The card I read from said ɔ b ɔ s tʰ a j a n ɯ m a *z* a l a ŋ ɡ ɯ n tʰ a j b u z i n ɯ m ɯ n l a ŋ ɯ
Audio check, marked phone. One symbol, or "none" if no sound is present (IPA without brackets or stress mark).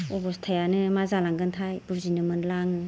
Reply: z